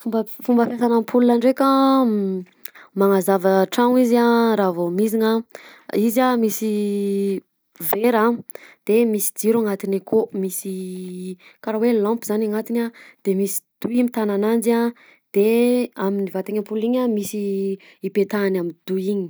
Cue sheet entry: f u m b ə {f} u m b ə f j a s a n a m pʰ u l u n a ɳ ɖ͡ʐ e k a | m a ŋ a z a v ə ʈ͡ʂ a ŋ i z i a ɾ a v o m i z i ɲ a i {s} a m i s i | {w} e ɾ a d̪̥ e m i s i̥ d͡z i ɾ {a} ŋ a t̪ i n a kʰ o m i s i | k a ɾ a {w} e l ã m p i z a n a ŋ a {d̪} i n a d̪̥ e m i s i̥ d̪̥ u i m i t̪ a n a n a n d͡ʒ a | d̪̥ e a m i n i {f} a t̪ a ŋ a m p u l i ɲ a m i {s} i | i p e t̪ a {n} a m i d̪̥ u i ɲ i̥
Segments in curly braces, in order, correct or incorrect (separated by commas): correct, incorrect, incorrect, correct, correct, incorrect, incorrect, correct, correct